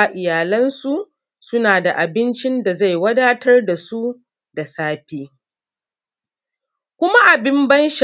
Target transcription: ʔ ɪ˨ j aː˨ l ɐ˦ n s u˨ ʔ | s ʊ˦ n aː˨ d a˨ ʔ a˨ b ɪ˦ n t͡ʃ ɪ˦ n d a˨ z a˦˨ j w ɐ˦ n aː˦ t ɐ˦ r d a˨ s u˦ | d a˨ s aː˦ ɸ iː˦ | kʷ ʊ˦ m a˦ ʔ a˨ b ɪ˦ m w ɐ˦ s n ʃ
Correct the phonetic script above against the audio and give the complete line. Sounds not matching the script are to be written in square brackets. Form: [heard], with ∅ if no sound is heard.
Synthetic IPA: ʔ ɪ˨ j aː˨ l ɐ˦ n s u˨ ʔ | s ʊ˦ n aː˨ d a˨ ʔ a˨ b ɪ˦ n t͡ʃ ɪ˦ n d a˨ z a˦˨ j w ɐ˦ [d] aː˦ t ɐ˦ r d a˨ s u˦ | d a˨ s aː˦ ɸ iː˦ | kʷ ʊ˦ m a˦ ʔ a˨ b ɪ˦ m [b] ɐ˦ [∅] n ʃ